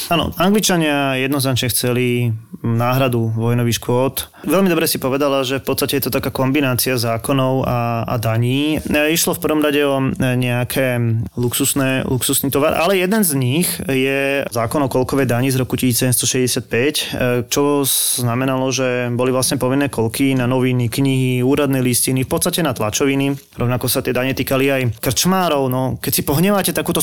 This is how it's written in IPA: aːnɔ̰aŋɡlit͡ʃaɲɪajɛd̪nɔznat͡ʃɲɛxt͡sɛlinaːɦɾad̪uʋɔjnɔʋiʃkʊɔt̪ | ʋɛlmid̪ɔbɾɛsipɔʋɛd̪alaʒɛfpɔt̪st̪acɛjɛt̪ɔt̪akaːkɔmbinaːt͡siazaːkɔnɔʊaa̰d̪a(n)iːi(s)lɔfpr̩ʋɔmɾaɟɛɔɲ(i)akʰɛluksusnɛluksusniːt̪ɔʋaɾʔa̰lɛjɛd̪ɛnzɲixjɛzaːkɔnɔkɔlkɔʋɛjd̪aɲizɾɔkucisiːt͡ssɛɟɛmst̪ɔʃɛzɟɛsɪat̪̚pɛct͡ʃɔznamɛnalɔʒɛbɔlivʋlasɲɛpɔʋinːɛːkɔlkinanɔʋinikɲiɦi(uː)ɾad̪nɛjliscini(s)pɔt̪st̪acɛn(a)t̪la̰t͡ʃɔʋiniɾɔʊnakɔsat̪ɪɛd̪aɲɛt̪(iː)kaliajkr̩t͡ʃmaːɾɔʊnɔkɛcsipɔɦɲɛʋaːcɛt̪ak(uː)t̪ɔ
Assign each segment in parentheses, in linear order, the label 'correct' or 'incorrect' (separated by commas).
incorrect, incorrect, incorrect, correct, incorrect, correct, correct, correct